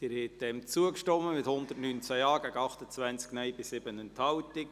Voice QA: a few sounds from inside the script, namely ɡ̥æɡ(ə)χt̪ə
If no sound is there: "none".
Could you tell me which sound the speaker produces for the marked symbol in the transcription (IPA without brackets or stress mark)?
ɑ